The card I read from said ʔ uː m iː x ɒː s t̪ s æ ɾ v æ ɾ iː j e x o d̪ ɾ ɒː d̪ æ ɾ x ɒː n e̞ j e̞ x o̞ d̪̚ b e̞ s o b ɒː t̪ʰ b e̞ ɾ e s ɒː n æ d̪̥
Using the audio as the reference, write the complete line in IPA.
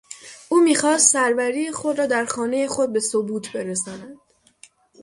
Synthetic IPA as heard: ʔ uː m iː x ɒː s t̪ s æ ɾ v æ ɾ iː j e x o d̪ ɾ ɒː d̪ æ ɾ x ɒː n e̞ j e̞ x o̞ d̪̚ b e̞ s o b uː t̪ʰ b e̞ ɾ e s ɒː n æ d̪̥